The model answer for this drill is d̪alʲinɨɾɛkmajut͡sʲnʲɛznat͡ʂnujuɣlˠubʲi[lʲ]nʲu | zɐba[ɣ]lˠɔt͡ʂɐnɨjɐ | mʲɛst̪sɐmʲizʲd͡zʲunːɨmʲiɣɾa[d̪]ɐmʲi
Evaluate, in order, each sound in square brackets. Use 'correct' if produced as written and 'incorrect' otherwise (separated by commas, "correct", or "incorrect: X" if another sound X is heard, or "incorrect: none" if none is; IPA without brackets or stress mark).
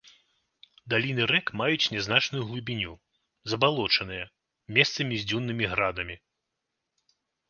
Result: incorrect: none, incorrect: none, correct